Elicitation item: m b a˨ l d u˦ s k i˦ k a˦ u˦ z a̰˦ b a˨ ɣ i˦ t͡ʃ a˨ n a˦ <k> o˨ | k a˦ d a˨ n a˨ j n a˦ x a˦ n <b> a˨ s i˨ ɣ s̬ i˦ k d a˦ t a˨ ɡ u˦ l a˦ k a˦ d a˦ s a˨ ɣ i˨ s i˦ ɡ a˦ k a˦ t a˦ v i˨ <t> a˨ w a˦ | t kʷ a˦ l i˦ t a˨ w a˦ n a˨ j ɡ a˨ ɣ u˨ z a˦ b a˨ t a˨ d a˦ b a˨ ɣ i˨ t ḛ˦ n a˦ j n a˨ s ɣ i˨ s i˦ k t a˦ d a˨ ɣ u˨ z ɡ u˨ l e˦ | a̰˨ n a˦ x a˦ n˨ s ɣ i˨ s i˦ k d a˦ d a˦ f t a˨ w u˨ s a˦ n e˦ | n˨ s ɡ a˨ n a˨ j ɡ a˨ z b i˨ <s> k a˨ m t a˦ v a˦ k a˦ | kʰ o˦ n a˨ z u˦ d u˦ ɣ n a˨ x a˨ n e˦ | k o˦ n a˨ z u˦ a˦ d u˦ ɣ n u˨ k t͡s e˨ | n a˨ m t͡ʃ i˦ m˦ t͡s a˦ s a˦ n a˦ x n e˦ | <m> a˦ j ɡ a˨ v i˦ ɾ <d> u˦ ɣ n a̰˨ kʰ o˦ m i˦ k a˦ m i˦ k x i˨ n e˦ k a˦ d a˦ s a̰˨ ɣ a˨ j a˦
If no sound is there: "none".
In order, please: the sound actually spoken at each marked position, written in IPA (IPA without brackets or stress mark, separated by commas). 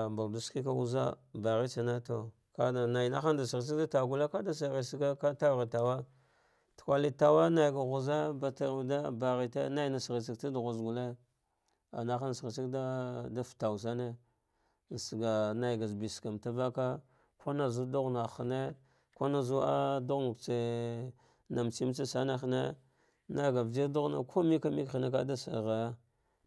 t, d, t, s, n, d